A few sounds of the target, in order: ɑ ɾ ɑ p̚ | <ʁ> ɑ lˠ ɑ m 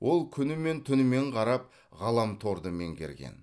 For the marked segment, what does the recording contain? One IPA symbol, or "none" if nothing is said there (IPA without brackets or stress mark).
ʁ